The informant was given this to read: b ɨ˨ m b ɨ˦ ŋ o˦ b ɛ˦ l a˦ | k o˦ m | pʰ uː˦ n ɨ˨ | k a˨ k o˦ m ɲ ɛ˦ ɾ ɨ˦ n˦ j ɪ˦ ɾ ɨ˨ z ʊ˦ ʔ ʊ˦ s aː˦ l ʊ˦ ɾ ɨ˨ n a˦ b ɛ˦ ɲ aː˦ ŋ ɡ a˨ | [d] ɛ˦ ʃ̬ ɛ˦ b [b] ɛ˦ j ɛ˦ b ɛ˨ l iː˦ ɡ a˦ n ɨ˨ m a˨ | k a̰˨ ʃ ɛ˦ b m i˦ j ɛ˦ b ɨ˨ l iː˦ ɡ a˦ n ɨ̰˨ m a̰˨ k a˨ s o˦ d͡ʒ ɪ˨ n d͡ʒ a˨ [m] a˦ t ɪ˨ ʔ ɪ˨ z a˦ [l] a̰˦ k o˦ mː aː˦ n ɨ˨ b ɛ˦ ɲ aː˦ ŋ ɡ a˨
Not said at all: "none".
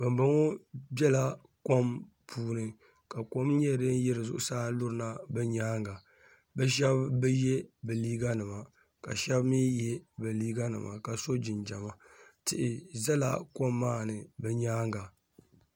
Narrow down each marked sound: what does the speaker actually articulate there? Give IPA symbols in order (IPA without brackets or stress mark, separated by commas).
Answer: b, b, m, l